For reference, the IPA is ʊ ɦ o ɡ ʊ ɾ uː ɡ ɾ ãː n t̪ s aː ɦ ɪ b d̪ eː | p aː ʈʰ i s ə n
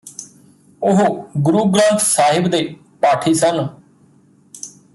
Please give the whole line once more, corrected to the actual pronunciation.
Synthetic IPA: ʊ ɦ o ɡ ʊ ɾ uː ɡ ɾ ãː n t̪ s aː ɦ ɪ b d̪ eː | p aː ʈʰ iː s ə n